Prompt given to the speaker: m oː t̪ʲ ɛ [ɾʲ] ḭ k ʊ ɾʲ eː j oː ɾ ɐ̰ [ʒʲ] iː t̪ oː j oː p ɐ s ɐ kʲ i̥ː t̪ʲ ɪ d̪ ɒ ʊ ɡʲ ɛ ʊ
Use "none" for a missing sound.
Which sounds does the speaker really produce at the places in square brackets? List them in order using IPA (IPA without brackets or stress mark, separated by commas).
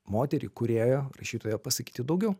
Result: ɾʲ, ʃʲ